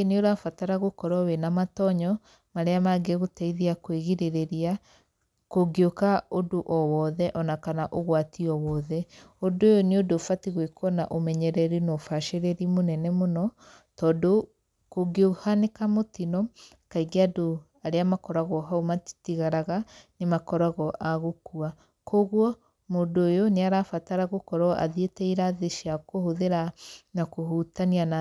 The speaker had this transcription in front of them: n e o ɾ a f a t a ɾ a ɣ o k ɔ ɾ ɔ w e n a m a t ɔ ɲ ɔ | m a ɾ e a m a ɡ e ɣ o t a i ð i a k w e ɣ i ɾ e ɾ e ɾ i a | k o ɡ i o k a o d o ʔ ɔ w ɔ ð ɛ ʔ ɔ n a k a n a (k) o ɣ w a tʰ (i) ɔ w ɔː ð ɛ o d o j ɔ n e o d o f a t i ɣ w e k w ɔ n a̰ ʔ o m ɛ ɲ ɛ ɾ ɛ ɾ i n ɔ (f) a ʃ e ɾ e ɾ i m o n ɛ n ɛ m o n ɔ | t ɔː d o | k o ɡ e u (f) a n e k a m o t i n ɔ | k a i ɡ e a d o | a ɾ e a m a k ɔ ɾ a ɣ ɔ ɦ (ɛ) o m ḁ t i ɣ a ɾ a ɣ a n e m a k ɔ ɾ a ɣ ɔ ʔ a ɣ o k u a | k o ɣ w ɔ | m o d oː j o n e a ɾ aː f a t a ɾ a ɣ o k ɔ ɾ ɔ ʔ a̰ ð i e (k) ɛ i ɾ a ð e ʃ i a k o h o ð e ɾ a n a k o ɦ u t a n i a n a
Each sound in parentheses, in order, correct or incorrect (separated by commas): incorrect, correct, correct, incorrect, incorrect, incorrect